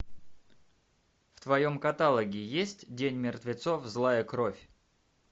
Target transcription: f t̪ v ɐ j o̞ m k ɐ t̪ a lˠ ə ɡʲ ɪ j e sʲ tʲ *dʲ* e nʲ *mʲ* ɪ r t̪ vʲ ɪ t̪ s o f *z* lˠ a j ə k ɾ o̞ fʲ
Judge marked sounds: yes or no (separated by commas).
yes, yes, yes